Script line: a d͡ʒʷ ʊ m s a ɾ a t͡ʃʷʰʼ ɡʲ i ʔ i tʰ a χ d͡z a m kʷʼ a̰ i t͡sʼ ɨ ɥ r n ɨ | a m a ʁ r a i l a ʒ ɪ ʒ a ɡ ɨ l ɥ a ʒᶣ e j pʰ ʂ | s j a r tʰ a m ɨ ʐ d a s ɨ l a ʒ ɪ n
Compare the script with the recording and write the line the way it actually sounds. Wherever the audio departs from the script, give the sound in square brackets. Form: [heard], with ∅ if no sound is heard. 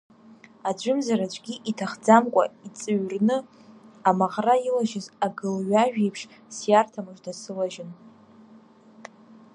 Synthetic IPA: a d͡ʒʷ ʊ m [z] a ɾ a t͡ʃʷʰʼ ɡʲ i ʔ i tʰ a χ d͡z a m kʷʼ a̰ i t͡sʼ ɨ ɥ r n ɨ | a m a ʁ r a i l a ʒ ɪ [z] a ɡ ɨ l ɥ a ʒᶣ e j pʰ ʂ | s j a r tʰ a m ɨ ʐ d a s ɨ l a ʒ ɪ n